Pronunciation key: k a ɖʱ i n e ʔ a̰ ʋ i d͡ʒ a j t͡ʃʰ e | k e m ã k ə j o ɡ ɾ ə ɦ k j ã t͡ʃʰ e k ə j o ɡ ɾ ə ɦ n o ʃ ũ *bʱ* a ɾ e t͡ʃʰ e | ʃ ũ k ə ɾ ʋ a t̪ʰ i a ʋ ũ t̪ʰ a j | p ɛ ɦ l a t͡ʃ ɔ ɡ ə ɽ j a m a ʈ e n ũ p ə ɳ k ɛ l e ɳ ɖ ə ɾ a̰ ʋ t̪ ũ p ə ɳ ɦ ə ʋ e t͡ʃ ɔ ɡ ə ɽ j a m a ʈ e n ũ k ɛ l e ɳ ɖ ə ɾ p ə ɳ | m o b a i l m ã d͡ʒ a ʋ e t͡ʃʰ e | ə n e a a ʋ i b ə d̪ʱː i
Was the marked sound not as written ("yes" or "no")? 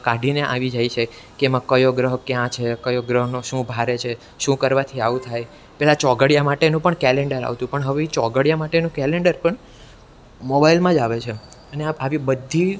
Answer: no